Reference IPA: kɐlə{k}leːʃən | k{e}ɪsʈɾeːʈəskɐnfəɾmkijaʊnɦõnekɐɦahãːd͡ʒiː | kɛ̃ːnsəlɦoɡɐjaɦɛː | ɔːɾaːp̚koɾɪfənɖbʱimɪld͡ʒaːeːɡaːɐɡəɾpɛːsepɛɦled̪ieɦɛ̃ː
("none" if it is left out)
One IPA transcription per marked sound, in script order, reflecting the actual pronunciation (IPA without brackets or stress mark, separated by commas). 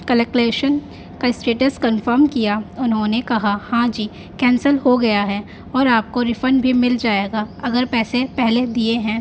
k, a